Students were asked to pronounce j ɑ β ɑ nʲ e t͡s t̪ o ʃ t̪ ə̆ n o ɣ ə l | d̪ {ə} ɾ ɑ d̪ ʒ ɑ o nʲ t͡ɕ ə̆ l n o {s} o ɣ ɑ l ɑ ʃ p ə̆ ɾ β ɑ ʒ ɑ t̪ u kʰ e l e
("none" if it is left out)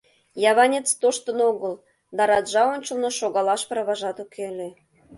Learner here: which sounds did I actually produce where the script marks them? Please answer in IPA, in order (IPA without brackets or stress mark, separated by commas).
ɑ, ʃ